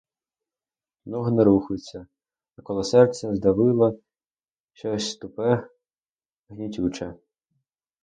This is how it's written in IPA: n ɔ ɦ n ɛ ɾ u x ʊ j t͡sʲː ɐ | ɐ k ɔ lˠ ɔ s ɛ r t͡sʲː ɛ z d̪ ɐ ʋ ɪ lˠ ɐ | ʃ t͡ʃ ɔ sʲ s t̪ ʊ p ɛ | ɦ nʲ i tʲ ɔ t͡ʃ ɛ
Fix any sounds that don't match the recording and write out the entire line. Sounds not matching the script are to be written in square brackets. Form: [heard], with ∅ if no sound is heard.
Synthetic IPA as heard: n ɔ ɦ n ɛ ɾ u x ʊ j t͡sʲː ɐ | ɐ k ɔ lˠ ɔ s ɛ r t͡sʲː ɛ z d̪ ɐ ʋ ɪ lˠ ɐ | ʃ t͡ʃ ɔ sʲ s t̪ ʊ p ɛ | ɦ nʲ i tʲ [u] t͡ʃ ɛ